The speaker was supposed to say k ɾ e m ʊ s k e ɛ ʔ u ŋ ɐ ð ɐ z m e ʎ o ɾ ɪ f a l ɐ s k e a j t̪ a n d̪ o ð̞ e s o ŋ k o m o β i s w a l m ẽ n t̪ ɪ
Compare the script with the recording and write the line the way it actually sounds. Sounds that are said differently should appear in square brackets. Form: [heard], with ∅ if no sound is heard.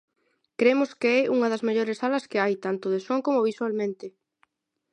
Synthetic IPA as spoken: k ɾ e m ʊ s k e ɛ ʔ u ŋ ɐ ð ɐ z m e ʎ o ɾ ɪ [s] a l ɐ s k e a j t̪ a n [t̪] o ð̞ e s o ŋ k o m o β i s w a l m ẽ n t̪ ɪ